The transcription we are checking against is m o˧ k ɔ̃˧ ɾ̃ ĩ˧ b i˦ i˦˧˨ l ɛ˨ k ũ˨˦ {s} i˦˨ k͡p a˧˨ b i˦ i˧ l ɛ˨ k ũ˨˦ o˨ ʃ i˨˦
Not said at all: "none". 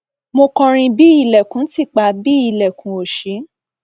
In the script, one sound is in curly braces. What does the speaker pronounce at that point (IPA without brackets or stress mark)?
t